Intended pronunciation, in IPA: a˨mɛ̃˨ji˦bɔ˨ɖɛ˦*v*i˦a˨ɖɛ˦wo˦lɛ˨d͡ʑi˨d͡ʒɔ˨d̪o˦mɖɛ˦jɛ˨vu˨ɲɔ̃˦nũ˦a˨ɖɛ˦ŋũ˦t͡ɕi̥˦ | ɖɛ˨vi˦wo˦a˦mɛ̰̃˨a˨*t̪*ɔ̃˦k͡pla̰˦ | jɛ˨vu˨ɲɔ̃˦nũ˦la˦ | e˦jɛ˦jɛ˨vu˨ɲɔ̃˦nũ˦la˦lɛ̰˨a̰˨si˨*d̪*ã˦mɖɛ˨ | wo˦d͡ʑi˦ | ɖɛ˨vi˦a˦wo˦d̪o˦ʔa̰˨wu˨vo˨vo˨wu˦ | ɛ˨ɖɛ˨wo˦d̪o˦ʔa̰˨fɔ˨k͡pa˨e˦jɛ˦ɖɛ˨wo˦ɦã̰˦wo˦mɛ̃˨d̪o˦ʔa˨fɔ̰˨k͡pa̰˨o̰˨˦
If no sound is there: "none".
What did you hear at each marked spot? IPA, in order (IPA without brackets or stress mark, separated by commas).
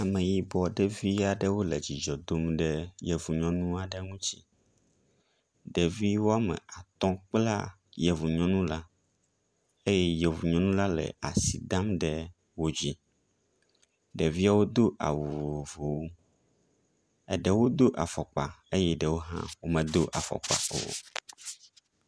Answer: v, t̪, d̪